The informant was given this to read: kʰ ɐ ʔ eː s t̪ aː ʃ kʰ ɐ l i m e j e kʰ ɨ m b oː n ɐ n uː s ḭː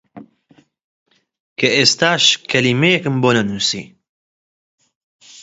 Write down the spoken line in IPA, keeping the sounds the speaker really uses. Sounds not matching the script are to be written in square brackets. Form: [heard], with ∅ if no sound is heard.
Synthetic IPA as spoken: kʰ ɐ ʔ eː s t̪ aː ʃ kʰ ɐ l i m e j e [k] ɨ m b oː n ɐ n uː s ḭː